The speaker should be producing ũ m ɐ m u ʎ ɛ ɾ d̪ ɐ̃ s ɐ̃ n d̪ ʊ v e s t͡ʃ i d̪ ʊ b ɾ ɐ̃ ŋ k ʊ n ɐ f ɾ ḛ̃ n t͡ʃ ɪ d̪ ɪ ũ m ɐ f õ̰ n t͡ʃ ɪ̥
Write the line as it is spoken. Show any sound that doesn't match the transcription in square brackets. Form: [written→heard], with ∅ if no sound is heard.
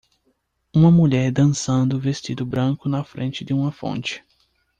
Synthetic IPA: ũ m ɐ m u ʎ ɛ ɾ d̪ ɐ̃ s ɐ̃ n d̪ ʊ v e s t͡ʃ i d̪ ʊ b ɾ ɐ̃ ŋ k ʊ n ɐ f ɾ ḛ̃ n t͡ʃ ɪ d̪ ɪ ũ m ɐ f õ̰ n t͡ʃ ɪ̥